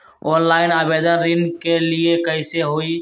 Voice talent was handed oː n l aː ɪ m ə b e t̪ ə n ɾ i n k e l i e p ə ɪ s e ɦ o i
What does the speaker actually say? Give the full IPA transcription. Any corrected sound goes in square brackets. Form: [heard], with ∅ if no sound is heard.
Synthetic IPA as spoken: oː n l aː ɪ [n] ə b e [d̪] ə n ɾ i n k e l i e [k] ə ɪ s e ɦ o i